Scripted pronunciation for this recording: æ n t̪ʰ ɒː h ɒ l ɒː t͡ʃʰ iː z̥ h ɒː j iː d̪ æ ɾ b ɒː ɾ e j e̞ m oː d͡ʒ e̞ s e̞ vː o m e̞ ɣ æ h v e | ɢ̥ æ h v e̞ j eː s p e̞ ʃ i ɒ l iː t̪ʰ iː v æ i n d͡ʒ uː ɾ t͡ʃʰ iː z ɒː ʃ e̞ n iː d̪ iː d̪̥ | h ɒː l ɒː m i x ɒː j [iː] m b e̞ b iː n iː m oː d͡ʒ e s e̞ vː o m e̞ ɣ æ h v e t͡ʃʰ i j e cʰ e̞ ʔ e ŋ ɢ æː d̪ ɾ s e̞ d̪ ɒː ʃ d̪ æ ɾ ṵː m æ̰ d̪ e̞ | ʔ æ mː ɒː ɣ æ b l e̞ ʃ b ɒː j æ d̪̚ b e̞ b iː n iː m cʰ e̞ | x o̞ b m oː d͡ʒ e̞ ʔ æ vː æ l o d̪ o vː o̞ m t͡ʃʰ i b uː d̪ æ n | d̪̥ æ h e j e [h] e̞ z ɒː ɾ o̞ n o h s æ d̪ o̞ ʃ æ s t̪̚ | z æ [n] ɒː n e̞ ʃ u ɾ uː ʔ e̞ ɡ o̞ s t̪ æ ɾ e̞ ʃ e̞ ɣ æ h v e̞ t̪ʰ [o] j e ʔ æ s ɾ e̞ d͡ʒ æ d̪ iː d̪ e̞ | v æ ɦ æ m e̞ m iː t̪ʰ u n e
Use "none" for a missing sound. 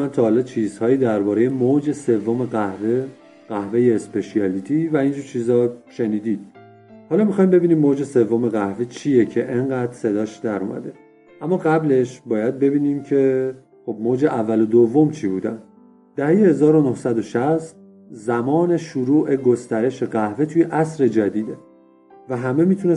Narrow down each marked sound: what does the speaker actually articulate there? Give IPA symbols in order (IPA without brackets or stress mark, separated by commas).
i, h, m, u